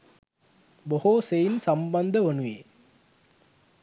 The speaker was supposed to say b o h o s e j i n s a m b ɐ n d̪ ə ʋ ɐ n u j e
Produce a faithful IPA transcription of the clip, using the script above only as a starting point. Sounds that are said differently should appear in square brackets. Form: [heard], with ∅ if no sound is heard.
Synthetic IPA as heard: b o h o s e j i n s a m b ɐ n d̪ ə ʋ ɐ n u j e